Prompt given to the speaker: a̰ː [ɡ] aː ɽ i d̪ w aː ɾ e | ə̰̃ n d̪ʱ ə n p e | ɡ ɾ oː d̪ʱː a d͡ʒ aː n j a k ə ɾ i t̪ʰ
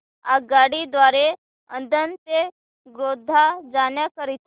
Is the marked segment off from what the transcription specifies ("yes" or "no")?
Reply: no